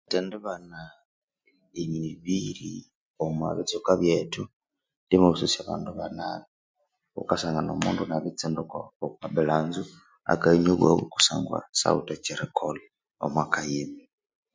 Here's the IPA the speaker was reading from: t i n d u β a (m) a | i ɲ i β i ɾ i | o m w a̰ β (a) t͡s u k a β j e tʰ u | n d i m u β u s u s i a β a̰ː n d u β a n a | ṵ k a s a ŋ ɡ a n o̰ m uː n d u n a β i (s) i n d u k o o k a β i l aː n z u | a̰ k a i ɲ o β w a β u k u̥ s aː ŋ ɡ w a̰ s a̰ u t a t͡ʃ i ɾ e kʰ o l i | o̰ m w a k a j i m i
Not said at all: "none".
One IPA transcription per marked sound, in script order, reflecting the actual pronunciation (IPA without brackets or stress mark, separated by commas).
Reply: n, i, t͡s